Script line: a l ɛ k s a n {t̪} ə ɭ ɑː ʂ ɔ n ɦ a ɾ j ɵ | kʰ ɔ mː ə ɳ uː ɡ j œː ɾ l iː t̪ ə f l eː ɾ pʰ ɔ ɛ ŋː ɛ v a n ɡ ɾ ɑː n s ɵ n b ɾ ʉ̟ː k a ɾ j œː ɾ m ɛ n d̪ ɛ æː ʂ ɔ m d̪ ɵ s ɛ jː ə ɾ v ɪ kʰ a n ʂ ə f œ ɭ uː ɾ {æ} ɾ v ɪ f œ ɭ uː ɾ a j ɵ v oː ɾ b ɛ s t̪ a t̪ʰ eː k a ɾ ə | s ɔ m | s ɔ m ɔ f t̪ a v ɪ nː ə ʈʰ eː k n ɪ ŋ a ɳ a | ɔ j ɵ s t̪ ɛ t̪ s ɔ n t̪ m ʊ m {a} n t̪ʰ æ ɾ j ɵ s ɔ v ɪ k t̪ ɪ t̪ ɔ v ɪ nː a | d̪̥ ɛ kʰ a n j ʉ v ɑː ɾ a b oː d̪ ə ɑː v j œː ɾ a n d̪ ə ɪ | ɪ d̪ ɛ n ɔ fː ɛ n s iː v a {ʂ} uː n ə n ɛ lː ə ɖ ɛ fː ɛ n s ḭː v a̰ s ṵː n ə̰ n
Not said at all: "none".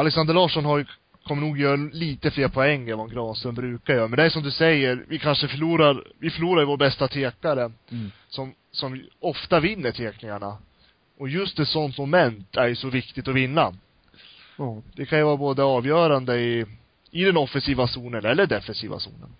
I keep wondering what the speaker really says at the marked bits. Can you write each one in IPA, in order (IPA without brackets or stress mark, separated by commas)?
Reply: d̪, a, ɛ, s